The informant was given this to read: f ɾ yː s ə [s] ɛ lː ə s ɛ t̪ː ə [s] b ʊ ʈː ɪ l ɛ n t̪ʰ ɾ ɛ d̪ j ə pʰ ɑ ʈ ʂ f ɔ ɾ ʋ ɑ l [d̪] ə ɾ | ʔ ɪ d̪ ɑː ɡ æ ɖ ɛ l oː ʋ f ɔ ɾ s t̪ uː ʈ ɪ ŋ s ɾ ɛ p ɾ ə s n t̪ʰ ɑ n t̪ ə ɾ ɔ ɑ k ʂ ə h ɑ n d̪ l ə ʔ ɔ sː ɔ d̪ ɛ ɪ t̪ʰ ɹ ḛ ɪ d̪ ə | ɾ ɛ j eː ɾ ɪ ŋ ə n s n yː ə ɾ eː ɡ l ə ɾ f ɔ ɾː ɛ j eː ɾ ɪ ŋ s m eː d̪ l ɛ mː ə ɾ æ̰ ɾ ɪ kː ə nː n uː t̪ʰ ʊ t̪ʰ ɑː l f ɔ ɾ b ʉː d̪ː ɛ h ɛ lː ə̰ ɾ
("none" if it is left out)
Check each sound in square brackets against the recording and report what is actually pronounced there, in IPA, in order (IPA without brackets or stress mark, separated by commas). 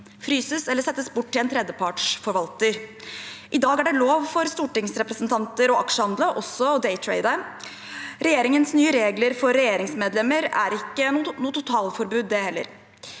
s, s, t̪